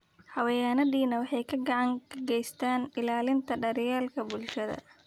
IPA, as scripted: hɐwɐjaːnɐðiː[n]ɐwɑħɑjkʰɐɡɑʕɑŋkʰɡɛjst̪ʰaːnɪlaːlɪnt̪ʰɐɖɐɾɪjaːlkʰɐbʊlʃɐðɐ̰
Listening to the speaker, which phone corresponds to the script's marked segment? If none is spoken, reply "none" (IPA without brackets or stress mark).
n